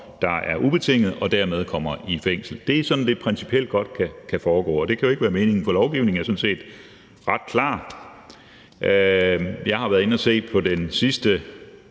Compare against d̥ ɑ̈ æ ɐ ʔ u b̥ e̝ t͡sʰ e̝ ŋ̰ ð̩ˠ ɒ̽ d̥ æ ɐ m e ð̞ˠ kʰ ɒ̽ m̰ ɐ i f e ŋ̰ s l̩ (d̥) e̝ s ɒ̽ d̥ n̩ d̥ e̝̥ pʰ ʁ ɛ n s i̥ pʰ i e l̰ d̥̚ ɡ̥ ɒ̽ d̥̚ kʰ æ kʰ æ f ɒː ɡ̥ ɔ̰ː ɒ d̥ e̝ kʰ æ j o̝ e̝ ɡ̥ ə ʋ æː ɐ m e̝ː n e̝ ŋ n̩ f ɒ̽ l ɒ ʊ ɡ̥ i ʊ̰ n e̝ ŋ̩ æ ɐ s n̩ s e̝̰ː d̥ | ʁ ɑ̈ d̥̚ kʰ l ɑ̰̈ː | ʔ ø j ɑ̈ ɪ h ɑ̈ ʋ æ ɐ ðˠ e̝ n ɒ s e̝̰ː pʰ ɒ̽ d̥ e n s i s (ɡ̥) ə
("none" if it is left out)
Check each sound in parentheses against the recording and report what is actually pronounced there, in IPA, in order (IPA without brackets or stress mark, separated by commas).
d̥, d̥